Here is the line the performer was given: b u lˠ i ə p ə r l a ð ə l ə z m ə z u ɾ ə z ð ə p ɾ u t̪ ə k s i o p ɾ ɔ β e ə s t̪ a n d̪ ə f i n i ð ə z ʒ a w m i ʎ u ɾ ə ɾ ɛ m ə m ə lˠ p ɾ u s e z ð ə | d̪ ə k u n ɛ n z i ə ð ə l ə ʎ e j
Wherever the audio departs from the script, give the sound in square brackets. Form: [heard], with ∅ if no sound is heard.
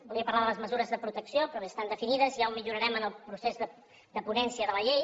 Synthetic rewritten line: b u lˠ i ə p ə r l a ð ə l ə z m ə z u ɾ ə z ð ə p ɾ u t̪ ə k s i o p ɾ ɔ β e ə s t̪ a n d̪ ə f i n i ð ə z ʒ a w m i ʎ u ɾ ə ɾ ɛ m ə [n] ə lˠ p ɾ u s e z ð ə | d̪ ə [p] u n ɛ n [s] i ə ð ə l ə ʎ e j